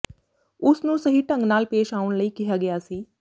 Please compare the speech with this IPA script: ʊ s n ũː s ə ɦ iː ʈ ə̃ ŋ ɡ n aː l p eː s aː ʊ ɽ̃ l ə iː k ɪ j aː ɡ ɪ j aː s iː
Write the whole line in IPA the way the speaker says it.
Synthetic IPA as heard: ʊ s n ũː s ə ɦ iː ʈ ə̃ ŋ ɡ n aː l p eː ʃ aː ʊ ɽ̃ l ə iː k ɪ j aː ɡ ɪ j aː s iː